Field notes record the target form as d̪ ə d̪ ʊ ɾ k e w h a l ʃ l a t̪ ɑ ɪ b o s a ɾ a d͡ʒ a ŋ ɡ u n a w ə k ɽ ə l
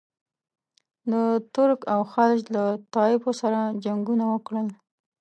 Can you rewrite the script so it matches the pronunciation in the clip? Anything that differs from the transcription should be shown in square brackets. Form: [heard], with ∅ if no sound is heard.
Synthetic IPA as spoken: d̪ ə [t̪] ʊ ɾ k [a] w [x] a l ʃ l a t̪ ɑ ɪ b o s a ɾ a d͡ʒ a ŋ ɡ u n a w ə k ɽ ə l